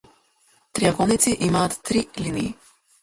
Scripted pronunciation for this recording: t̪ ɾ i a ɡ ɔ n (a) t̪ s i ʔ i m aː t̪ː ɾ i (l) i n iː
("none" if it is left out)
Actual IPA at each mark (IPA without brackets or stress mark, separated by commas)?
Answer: i, l